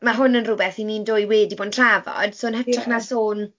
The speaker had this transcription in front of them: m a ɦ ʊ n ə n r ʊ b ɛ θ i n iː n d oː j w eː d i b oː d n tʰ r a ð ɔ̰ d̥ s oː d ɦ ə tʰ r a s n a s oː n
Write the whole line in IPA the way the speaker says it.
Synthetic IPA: m a ɦ ʊ n ə n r ʊ b ɛ θ i n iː n d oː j w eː d i b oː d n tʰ r a v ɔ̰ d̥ s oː n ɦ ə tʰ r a χ n a s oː n